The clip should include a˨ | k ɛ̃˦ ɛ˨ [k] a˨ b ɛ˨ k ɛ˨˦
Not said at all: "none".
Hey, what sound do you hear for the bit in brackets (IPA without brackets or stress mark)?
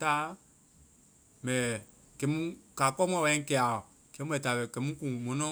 t